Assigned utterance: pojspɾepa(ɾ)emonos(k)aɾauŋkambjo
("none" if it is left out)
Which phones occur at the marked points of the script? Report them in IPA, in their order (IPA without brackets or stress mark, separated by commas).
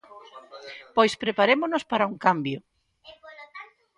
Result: ɾ, p